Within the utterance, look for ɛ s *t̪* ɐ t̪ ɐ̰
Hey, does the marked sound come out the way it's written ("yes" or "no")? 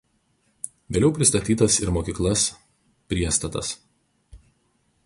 yes